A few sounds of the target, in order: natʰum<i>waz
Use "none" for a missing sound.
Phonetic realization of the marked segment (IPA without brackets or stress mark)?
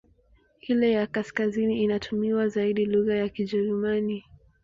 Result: i